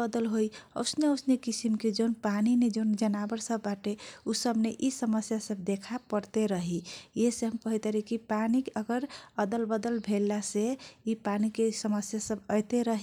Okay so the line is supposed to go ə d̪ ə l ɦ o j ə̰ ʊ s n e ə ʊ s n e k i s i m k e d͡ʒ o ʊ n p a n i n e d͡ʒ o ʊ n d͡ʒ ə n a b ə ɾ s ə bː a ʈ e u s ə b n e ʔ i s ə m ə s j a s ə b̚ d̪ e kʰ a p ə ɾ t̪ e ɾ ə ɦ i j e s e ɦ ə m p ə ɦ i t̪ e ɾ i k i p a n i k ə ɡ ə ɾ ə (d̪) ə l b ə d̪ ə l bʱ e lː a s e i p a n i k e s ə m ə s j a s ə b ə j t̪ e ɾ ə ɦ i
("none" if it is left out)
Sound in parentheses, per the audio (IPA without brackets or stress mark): d̪